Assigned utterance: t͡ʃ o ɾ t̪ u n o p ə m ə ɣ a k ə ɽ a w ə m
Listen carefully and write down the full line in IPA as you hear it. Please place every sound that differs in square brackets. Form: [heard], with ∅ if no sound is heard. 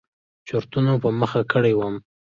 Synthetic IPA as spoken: t͡ʃ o ɾ t̪ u n o p ə m ə [x] a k ə ɽ [e] w ə m